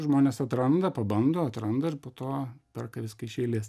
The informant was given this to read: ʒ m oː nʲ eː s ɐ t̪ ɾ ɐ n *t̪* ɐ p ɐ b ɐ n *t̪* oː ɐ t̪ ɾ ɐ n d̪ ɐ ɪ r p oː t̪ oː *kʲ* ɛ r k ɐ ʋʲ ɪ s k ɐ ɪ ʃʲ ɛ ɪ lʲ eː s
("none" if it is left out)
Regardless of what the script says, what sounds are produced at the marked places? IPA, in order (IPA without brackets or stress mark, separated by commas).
d̪, d̪, pʲ